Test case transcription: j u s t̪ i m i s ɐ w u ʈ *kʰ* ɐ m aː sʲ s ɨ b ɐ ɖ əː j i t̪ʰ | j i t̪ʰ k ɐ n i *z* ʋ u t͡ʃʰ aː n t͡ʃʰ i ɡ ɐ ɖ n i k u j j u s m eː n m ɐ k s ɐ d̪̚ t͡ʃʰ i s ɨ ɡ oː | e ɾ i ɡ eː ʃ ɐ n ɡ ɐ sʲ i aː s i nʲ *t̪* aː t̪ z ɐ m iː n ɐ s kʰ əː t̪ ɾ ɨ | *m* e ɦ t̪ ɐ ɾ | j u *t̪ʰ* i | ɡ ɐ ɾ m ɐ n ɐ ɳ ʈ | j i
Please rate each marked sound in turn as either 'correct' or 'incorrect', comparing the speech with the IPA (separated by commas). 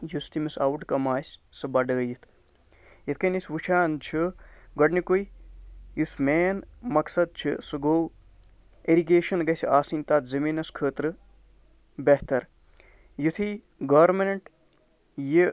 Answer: incorrect, incorrect, correct, incorrect, correct